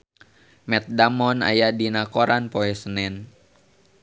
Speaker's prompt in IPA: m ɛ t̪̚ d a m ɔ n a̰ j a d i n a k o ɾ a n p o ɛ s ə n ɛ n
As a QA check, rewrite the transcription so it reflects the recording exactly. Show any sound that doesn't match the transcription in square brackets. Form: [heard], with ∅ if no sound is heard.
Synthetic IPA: m ɛ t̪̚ d a m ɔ n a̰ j a d i n a k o ɾ a n p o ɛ s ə n ɛ n

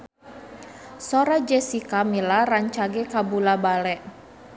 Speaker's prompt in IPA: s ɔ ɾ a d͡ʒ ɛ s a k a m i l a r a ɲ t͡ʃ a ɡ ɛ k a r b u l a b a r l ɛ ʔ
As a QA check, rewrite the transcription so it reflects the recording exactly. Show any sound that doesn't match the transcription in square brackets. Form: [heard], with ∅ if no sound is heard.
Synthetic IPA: s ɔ ɾ a d͡ʒ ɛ s [i] k a m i l a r a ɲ t͡ʃ a ɡ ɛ k a [∅] b u l a b a [∅] l ɛ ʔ

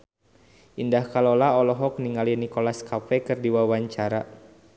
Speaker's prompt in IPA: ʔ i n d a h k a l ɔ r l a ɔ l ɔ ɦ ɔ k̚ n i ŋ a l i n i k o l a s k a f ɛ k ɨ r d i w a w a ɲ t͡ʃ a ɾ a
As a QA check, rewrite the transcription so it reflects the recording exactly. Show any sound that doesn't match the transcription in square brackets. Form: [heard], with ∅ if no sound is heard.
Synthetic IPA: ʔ i n d a h k a l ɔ [∅] l a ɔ l ɔ ɦ ɔ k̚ n i ŋ a l i n i k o l a s k a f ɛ k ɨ r d i w a w a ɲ t͡ʃ a ɾ a

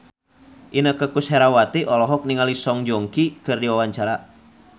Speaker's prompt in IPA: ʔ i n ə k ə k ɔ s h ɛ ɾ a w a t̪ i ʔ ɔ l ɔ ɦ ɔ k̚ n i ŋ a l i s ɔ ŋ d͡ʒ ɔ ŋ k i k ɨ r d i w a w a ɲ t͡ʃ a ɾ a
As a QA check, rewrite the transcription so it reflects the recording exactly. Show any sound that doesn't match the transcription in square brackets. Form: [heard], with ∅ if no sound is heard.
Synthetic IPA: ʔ i n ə k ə k [u] s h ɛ ɾ a w a t̪ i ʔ ɔ l ɔ ɦ ɔ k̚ n i ŋ a l i s ɔ ŋ d͡ʒ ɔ ŋ k i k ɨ r d i w a w a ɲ t͡ʃ a ɾ a

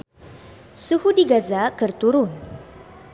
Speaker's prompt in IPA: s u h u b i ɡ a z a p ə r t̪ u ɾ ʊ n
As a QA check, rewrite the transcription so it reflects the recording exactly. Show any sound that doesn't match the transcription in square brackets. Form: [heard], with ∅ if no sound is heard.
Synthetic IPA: s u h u [d] i ɡ a z a [k] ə r t̪ u ɾ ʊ n

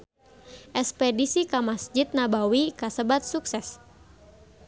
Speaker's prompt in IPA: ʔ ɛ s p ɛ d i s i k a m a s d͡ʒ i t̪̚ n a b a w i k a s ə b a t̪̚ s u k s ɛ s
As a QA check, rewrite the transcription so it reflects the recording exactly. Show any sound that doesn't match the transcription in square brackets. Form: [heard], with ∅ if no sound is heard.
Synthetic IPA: ʔ ɛ s p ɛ d i s i k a m a s d͡ʒ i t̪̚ n a b a w i k a s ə b a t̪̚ s u k s ɛ s

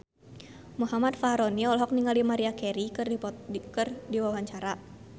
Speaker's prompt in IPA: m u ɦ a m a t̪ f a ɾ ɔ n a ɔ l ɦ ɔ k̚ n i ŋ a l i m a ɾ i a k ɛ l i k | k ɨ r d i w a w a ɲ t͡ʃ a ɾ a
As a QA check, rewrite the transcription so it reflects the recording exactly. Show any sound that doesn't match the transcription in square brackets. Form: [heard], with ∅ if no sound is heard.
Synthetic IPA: m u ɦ a m a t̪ f a ɾ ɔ n [i] ɔ l ɦ ɔ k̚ n i ŋ a l i m a ɾ i a k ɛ [ɾ] i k | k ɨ r d i w a w a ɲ t͡ʃ a ɾ a

